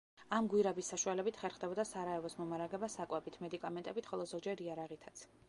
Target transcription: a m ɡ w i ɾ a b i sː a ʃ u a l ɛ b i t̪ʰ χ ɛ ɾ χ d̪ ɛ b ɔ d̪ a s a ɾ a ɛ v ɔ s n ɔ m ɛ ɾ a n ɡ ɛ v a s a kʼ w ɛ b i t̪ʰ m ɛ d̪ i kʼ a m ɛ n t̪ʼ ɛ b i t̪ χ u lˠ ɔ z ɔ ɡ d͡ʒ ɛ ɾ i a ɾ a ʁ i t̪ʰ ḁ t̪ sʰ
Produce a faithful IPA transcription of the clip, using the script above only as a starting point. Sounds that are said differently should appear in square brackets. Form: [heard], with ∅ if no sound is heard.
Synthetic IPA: a m ɡ w i ɾ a b i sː a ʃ u a l ɛ b i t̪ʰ χ ɛ ɾ χ d̪ ɛ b ɔ d̪ a s a ɾ a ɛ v ɔ s [m] ɔ m [a] ɾ a [∅] ɡ ɛ [b] a s a kʼ w ɛ b i t̪ʰ m ɛ d̪ i kʼ a m ɛ n t̪ʼ ɛ b i t̪ χ [ɔ] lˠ ɔ z ɔ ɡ d͡ʒ ɛ ɾ i a ɾ a ʁ i t̪ʰ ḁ t̪ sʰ